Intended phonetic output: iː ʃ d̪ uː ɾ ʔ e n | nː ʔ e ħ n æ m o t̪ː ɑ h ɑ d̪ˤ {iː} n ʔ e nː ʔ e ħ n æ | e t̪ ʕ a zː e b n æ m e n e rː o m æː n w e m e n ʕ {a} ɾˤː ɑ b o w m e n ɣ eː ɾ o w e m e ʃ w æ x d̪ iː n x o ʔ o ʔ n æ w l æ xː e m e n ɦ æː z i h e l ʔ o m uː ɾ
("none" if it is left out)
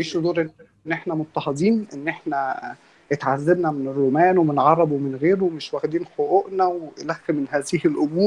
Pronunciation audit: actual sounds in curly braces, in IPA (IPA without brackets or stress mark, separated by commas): iː, ɑ